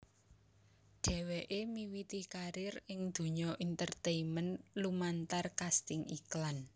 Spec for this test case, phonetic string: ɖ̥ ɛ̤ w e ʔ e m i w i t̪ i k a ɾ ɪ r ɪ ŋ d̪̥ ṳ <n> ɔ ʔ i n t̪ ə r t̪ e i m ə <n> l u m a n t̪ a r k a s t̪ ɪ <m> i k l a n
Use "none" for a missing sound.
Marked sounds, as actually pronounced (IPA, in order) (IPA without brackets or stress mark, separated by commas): ɲ, n, ŋ